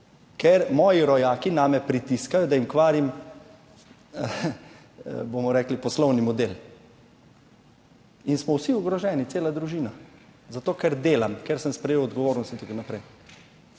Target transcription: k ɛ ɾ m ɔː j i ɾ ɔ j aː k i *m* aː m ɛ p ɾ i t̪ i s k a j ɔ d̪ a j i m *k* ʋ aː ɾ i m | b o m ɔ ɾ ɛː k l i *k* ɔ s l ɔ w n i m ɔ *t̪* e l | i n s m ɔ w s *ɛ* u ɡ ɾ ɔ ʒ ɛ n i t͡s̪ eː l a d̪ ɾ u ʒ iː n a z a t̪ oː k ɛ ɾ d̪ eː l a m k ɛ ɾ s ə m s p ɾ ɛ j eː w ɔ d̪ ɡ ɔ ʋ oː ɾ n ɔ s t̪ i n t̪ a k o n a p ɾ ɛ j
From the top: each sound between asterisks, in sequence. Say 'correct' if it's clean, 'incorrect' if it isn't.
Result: incorrect: n, correct, incorrect: p, incorrect: d̪, incorrect: i

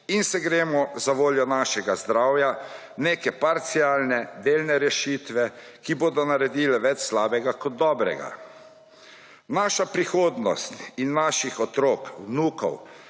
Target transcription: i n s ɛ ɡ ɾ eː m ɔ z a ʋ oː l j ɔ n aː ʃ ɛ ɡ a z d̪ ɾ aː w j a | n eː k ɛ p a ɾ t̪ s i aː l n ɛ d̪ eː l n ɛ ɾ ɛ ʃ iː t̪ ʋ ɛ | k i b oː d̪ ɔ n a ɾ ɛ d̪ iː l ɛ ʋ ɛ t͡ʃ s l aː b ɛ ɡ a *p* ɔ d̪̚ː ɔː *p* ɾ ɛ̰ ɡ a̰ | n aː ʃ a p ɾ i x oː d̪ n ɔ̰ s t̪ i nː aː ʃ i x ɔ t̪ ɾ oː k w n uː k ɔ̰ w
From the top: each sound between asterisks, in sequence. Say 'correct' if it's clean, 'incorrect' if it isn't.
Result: incorrect: k, incorrect: b

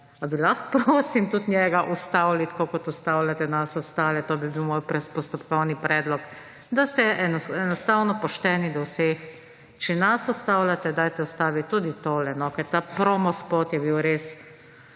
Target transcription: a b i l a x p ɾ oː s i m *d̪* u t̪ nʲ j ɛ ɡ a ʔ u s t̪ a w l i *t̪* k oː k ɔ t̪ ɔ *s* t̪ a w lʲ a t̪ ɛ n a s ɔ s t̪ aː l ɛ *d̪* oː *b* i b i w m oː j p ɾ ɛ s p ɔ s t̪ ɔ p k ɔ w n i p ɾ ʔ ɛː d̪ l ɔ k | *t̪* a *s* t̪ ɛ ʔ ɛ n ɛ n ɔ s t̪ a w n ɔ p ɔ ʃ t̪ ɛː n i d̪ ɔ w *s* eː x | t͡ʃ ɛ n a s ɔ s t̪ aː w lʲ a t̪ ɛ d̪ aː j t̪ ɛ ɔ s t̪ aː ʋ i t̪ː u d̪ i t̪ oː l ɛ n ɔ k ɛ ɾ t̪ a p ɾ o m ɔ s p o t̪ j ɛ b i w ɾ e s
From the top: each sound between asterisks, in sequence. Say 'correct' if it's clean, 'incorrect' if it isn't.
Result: incorrect: t̪, correct, correct, incorrect: t̪, correct, incorrect: d̪, correct, correct

